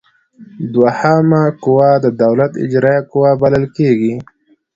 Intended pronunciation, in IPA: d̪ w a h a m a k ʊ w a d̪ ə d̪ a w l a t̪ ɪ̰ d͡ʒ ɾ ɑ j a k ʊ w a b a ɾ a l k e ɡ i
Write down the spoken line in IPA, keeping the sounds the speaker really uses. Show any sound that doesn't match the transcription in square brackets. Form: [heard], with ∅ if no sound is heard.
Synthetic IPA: d̪ w a h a m a k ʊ w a d̪ ə d̪ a w l a t̪ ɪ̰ d͡ʒ ɾ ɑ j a k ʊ w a b a [l] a l k e ɡ i